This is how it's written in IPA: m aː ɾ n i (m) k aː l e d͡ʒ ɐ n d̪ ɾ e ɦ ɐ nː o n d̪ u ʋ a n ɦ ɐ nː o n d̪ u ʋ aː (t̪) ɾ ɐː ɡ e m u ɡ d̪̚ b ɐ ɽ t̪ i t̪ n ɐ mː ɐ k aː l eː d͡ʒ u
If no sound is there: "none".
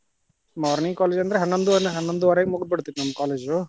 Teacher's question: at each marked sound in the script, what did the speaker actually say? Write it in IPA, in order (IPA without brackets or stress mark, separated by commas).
ŋ, none